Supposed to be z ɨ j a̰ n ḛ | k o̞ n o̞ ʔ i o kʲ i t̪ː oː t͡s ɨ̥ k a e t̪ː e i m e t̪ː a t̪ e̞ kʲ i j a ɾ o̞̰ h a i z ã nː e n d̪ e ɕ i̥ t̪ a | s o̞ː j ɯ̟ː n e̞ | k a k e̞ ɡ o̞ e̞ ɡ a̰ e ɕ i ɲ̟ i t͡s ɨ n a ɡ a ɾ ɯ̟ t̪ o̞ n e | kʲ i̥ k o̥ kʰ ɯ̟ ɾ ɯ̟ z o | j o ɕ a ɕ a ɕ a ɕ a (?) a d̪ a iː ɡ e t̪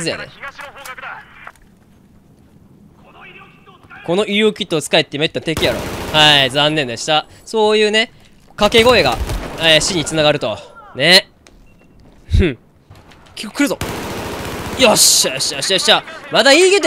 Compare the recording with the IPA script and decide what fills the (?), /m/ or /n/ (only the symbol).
m